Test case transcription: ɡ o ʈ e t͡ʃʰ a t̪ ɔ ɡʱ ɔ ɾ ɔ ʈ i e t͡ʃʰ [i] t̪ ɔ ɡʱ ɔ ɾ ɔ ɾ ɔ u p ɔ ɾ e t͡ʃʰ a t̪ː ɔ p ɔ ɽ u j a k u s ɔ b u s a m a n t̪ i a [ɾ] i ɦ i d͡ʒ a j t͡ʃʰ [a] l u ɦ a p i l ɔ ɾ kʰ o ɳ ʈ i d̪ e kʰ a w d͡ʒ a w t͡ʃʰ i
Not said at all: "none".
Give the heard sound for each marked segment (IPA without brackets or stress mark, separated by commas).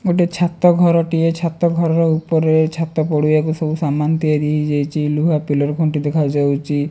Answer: a, ɾ, i